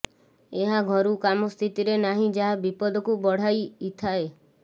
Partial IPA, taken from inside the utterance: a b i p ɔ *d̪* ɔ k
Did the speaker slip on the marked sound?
no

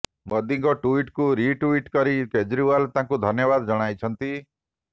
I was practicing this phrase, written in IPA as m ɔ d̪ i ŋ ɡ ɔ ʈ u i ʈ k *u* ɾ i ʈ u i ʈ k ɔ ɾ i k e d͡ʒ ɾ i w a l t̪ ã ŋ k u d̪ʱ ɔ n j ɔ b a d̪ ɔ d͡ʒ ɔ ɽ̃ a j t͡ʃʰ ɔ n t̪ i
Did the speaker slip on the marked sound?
no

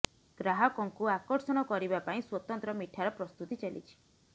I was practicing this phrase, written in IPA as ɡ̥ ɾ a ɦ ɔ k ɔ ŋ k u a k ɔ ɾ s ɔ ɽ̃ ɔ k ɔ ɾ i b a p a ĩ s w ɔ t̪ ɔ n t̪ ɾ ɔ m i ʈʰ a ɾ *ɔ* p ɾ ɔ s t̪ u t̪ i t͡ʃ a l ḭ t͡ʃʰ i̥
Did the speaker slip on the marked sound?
no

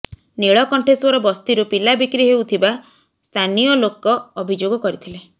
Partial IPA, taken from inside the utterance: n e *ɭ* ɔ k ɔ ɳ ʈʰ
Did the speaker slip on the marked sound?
no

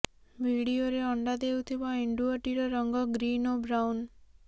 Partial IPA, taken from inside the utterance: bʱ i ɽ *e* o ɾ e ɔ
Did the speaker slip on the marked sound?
yes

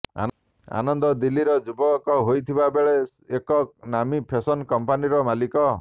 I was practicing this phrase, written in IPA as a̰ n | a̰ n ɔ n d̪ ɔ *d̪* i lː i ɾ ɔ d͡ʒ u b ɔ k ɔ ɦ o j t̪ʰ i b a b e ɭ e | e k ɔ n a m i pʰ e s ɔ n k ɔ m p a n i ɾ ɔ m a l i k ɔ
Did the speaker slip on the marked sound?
no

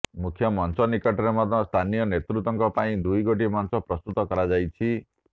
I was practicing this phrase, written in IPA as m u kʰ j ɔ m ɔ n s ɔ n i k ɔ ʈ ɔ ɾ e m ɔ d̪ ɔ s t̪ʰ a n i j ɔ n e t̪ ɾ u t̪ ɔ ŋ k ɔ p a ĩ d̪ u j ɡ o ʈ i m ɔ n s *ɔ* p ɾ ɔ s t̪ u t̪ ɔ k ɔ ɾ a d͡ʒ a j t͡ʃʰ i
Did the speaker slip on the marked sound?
no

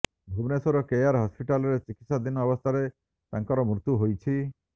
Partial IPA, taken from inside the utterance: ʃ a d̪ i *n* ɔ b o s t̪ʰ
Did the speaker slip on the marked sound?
no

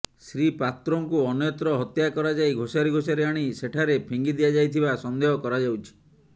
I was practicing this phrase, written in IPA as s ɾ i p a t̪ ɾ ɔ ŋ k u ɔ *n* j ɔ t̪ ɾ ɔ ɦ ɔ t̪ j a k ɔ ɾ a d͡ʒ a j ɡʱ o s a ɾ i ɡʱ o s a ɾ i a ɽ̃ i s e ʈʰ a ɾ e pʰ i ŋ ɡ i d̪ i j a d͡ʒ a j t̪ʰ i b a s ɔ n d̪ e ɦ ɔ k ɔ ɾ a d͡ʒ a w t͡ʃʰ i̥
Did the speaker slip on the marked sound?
no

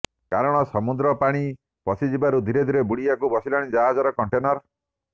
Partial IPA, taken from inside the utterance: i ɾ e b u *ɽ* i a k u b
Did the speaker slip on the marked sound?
no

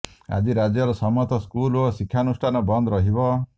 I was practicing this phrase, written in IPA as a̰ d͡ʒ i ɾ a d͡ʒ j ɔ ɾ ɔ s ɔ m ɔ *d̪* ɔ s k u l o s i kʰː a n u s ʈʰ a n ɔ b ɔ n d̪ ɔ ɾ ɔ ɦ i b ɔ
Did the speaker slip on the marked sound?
yes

